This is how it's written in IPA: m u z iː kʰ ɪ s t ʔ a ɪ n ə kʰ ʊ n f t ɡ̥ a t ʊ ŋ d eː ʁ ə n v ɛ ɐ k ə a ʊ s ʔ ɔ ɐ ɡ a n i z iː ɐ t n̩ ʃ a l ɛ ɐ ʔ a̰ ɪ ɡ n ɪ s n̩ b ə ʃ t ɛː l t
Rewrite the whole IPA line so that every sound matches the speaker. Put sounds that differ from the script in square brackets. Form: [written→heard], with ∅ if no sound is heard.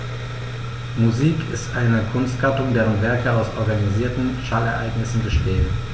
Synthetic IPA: m u z iː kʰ ɪ s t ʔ a ɪ n ə kʰ ʊ n [f→s] t ɡ̥ a t ʊ ŋ d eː ʁ ə n v ɛ ɐ k ə a ʊ s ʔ ɔ ɐ ɡ a n i z iː ɐ t n̩ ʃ a l ɛ ɐ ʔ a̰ ɪ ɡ n ɪ s n̩ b ə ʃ t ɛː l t

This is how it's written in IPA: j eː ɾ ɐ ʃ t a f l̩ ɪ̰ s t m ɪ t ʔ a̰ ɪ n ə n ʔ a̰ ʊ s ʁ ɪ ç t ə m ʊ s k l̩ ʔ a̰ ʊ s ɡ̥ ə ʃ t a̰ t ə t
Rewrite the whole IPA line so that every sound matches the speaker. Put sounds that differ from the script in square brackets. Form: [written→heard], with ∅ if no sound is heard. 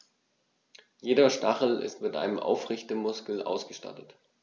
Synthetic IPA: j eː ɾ ɐ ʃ t a [f→χ] l̩ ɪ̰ s t m ɪ t ʔ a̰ ɪ n ə [n→m] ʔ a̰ ʊ [s→f] ʁ ɪ ç t ə m ʊ s k l̩ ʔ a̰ ʊ s ɡ̥ ə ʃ t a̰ t ə t

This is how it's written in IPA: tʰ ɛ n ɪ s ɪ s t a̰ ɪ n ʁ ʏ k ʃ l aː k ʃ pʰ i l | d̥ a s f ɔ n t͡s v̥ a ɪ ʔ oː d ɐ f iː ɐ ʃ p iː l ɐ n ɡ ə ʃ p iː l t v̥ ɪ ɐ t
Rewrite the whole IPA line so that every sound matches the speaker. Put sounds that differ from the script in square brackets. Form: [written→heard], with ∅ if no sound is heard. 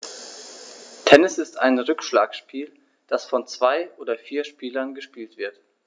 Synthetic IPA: tʰ ɛ n ɪ s ɪ s t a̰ ɪ n ʁ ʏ k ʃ l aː k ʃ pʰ [i→iː] l | d̥ a s f ɔ n t͡s v̥ a ɪ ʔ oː d ɐ f iː ɐ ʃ p iː l ɐ n ɡ ə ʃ p iː l t v̥ ɪ ɐ t

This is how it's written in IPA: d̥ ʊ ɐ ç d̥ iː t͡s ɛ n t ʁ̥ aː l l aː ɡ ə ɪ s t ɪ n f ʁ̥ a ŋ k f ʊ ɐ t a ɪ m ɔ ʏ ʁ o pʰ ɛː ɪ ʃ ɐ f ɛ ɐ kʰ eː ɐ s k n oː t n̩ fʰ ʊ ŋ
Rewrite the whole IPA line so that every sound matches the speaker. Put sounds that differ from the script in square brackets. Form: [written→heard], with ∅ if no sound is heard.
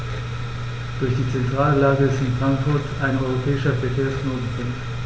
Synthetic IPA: d̥ ʊ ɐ ç d̥ iː t͡s ɛ n t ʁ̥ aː l l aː ɡ ə ɪ s t ɪ n f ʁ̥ a ŋ k f ʊ ɐ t a ɪ [m→n] ɔ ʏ ʁ o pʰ ɛː ɪ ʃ ɐ f ɛ ɐ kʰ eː ɐ s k n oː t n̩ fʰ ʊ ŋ

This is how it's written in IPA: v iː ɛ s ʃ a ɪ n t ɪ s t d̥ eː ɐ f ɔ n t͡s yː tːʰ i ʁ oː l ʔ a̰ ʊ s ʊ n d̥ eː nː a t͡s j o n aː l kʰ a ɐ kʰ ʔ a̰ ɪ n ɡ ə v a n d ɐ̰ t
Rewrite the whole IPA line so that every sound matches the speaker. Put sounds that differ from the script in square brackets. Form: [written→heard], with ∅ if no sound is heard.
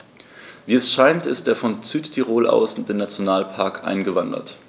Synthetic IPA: v iː ɛ s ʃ a ɪ n t ɪ s t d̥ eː ɐ f ɔ n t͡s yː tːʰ i ʁ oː l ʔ a̰ ʊ s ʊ n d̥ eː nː a t͡s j o n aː l [kʰ→pʰ] a ɐ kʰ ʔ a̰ ɪ n ɡ ə v a n d ɐ̰ t

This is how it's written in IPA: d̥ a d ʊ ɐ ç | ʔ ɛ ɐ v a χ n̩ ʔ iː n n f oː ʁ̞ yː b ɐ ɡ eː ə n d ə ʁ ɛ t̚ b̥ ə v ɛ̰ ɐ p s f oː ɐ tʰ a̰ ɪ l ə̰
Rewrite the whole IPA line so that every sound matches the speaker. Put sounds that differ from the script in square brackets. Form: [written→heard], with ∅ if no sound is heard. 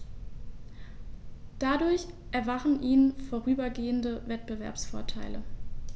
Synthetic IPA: d̥ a d ʊ ɐ ç | ʔ ɛ ɐ v a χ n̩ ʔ iː n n f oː ʁ̞ yː b ɐ ɡ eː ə n d ə [ʁ→v] ɛ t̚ b̥ ə v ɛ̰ ɐ p s f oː ɐ tʰ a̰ ɪ l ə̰

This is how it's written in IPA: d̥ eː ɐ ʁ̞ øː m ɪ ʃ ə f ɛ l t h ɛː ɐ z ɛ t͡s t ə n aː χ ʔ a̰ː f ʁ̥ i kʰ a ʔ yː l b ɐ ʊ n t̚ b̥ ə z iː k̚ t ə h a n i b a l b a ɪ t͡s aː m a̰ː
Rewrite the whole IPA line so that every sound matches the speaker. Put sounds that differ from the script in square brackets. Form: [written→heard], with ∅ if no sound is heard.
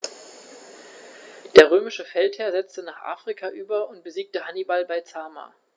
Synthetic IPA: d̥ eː ɐ ʁ̞ øː m ɪ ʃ ə f ɛ l t h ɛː ɐ z ɛ t͡s t ə n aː χ ʔ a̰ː f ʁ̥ i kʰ a ʔ yː [l→∅] b ɐ ʊ n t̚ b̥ ə z iː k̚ t ə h a n i b a l b a ɪ t͡s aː m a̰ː

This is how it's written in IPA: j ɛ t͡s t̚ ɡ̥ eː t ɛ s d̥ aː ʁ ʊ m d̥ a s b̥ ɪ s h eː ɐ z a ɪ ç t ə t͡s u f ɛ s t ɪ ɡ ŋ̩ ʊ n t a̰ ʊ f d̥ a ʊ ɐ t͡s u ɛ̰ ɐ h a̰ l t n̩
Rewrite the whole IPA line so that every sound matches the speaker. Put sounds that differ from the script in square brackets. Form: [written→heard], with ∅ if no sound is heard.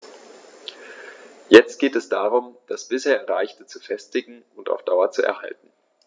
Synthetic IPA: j ɛ t͡s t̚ ɡ̥ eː t ɛ s d̥ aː ʁ ʊ m d̥ a s b̥ ɪ s h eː ɐ [z→ʁ] a ɪ ç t ə t͡s u f ɛ s t ɪ ɡ ŋ̩ ʊ n t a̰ ʊ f d̥ a ʊ ɐ t͡s u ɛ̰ ɐ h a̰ l t n̩

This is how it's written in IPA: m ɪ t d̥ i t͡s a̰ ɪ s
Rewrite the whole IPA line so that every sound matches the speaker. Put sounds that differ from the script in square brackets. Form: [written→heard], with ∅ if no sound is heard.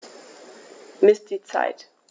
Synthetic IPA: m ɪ [t→s] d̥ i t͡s a̰ ɪ [s→t]

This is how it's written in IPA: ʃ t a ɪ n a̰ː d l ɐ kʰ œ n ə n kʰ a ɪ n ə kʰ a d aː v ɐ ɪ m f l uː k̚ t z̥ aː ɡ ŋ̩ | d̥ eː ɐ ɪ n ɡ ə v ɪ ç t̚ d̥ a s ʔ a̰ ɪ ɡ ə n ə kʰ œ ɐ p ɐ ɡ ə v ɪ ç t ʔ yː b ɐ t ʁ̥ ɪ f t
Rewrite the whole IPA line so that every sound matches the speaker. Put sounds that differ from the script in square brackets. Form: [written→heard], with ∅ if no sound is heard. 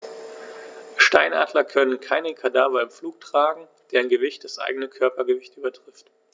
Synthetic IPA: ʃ t a ɪ n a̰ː d l ɐ kʰ œ n ə n kʰ a ɪ n ə kʰ a d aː v ɐ ɪ m f l uː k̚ t [z̥→ʁ̥] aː ɡ ŋ̩ | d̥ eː ɐ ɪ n ɡ ə v ɪ ç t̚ d̥ a s ʔ a̰ ɪ ɡ ə n ə kʰ œ ɐ p ɐ ɡ ə v ɪ ç t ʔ yː b ɐ t ʁ̥ ɪ f t

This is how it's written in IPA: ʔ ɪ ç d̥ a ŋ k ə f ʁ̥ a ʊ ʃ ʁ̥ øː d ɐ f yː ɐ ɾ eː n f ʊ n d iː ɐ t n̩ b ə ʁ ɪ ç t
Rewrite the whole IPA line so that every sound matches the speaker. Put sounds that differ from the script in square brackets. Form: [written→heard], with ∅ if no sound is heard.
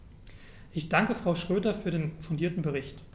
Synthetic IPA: ʔ ɪ ç d̥ a ŋ k ə f ʁ̥ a ʊ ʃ ʁ̥ øː d ɐ f yː ɐ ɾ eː n f ʊ n d iː ɐ t n̩ b ə ʁ ɪ ç t

